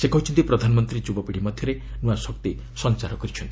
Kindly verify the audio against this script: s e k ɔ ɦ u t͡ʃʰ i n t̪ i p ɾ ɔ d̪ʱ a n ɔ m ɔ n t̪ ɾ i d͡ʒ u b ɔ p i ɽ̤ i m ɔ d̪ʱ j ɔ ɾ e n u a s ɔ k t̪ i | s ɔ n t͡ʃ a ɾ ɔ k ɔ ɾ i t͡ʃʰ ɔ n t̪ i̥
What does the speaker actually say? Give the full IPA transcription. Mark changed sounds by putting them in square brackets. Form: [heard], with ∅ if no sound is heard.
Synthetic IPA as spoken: s e k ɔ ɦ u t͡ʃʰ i n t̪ i p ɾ ɔ d̪ʱ a n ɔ m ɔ n t̪ ɾ i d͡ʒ u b ɔ p i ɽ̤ i m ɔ d̪ʱ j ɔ ɾ e n u a s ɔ k t̪ i | s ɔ n t͡ʃ a ɾ ɔ k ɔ ɾ i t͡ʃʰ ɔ n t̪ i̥

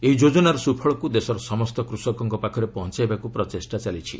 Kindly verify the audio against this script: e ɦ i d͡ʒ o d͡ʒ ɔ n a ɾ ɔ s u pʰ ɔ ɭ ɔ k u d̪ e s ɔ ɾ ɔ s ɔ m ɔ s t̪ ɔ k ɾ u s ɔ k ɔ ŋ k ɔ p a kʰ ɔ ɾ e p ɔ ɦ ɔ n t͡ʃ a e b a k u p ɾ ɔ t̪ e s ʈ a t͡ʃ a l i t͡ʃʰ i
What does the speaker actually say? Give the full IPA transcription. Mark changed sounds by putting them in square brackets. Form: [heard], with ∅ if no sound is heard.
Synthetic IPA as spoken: e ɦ i d͡ʒ o d͡ʒ ɔ n a ɾ ɔ s u pʰ ɔ ɭ ɔ k u d̪ e s ɔ ɾ ɔ s ɔ m ɔ s t̪ ɔ k ɾ u s ɔ k ɔ ŋ k ɔ p a kʰ ɔ ɾ e p ɔ ɦ ɔ n t͡ʃ a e b a k u p ɾ ɔ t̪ e s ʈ a t͡ʃ a l i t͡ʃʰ i

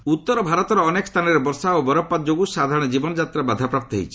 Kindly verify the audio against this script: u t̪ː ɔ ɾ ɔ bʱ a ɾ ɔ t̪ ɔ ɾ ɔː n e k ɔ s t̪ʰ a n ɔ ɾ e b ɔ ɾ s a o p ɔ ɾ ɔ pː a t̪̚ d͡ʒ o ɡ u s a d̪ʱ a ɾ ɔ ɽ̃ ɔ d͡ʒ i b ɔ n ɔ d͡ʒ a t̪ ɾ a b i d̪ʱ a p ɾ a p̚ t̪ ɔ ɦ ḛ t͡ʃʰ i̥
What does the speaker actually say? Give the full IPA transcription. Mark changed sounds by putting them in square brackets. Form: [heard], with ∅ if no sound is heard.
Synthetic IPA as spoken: u t̪ː ɔ ɾ ɔ bʱ a ɾ ɔ t̪ ɔ ɾ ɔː n e k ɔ s t̪ʰ a n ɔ ɾ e b ɔ ɾ s a o [b] ɔ ɾ ɔ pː a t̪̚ d͡ʒ o ɡ u s a d̪ʱ a ɾ ɔ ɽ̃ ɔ d͡ʒ i b ɔ n ɔ d͡ʒ a t̪ ɾ a b [a] d̪ʱ a p ɾ a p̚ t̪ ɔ ɦ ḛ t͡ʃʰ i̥

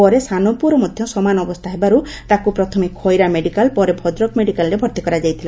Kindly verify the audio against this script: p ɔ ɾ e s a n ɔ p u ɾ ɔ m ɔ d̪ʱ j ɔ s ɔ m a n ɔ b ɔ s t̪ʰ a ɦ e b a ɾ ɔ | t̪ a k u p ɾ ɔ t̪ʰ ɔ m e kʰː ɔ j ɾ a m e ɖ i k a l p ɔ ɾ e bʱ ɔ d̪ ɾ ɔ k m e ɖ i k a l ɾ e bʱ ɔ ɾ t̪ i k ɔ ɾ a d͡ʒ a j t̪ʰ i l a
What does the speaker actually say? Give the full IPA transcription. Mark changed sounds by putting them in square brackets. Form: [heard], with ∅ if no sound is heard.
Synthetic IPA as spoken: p ɔ ɾ e s a n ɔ p u ɾ ɔ m ɔ d̪ʱ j ɔ s ɔ m a n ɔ b ɔ s t̪ʰ a ɦ e b a ɾ [u] | t̪ a k u p ɾ ɔ t̪ʰ ɔ m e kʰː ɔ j ɾ a m e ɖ i k a l p ɔ ɾ e bʱ ɔ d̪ ɾ ɔ k m e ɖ i k a l ɾ e bʱ ɔ ɾ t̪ i k ɔ ɾ a d͡ʒ a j t̪ʰ i l a

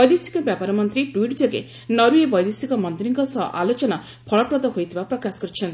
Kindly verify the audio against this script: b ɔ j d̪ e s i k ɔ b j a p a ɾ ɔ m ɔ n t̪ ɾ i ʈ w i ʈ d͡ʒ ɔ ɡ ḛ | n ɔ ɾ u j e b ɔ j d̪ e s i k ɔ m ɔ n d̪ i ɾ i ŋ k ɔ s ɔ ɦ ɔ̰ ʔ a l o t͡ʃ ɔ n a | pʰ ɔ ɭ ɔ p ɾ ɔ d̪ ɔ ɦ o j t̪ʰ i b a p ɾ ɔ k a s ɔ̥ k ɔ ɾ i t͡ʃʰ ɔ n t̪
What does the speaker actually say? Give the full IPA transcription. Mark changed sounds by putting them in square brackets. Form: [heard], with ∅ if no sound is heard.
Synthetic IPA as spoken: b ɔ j d̪ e s i k ɔ b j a p a ɾ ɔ m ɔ n t̪ ɾ i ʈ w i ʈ d͡ʒ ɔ ɡ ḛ | n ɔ ɾ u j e b ɔ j d̪ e s i k ɔ m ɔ n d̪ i ɾ i ŋ k ɔ s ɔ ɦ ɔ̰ ʔ a l o t͡ʃ ɔ n a | pʰ ɔ ɭ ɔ p ɾ ɔ d̪ ɔ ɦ o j t̪ʰ i b a p ɾ ɔ k a s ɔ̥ k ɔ ɾ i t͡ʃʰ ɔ n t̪

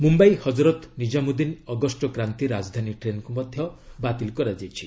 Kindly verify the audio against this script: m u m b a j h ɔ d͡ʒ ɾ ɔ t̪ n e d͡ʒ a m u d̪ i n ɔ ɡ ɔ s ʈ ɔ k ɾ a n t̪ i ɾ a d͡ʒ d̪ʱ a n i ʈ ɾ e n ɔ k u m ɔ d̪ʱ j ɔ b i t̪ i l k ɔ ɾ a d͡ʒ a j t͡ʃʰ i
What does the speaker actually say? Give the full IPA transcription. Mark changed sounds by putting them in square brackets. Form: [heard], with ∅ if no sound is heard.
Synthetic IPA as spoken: m u m b a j h ɔ d͡ʒ ɾ ɔ t̪ n [i] d͡ʒ a m u d̪ i n ɔ ɡ ɔ s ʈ ɔ k ɾ a n t̪ i ɾ a d͡ʒ d̪ʱ a n i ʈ ɾ e n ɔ k u m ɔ d̪ʱ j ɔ b [a] t̪ i l k ɔ ɾ a d͡ʒ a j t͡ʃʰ i

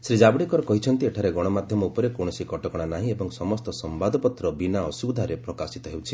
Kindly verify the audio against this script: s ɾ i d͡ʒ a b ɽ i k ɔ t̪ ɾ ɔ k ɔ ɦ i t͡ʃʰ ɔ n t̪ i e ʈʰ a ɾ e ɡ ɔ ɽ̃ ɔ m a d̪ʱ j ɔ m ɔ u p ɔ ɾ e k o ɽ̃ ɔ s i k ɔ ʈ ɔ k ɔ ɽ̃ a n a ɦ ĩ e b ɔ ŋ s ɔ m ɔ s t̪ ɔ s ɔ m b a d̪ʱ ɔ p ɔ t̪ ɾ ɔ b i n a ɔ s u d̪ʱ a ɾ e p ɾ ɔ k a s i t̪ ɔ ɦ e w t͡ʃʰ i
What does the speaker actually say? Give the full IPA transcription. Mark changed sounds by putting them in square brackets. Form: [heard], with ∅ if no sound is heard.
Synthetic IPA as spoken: s ɾ i d͡ʒ a b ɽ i k ɔ [∅] ɾ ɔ k ɔ ɦ i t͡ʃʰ ɔ n t̪ i e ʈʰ a ɾ e ɡ ɔ ɽ̃ ɔ m a d̪ʱ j ɔ m ɔ u p ɔ ɾ e k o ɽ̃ ɔ s i k ɔ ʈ ɔ k ɔ ɽ̃ a n a ɦ ĩ e b ɔ ŋ s ɔ m ɔ s t̪ ɔ s ɔ m b a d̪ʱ ɔ p ɔ t̪ ɾ ɔ b i n a ɔ s u d̪ʱ a ɾ e p ɾ ɔ k a s i t̪ ɔ ɦ e w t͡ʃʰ i

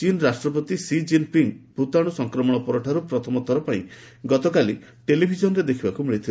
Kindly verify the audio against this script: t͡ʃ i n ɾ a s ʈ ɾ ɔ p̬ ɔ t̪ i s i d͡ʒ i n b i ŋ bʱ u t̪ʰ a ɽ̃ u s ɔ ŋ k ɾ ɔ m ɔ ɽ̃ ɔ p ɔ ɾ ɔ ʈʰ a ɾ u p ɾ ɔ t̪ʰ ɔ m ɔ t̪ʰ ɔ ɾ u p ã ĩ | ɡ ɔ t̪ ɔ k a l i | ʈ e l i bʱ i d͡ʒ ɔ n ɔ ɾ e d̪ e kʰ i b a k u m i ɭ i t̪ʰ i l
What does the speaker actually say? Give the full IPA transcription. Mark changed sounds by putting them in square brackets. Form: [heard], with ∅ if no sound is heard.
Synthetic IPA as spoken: t͡ʃ i n ɾ a s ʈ ɾ ɔ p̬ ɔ t̪ i s i d͡ʒ i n [p] i ŋ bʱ u [t̪] a ɽ̃ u s ɔ ŋ k ɾ ɔ m ɔ ɽ̃ ɔ p ɔ ɾ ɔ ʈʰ a ɾ u p ɾ ɔ t̪ʰ ɔ m ɔ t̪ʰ ɔ ɾ [ɔ] p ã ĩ | ɡ ɔ t̪ ɔ k a l i | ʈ e l i bʱ i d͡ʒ ɔ n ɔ ɾ e d̪ e kʰ i b a k u m i ɭ i t̪ʰ i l

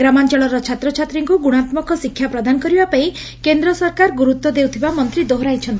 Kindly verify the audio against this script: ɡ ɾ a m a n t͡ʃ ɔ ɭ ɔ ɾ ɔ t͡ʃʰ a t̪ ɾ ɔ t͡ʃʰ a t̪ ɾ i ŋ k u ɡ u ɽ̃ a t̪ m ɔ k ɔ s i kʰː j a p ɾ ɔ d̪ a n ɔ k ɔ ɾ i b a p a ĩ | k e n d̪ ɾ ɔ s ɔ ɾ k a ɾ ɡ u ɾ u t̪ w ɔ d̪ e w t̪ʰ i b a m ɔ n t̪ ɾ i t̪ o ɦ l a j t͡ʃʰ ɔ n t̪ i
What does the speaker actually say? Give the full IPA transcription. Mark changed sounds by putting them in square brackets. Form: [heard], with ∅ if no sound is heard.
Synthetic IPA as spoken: ɡ ɾ a m a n t͡ʃ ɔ ɭ ɔ ɾ ɔ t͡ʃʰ a t̪ ɾ ɔ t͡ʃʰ a t̪ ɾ i ŋ k u ɡ u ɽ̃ a t̪ m ɔ k ɔ s i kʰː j a p ɾ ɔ d̪ a n ɔ k ɔ ɾ i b a p a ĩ | k e n d̪ ɾ ɔ s ɔ ɾ k a ɾ ɡ u ɾ u t̪ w ɔ d̪ e w t̪ʰ i b a m ɔ n t̪ ɾ i [d̪] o ɦ [ɾ] a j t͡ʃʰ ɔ n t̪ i

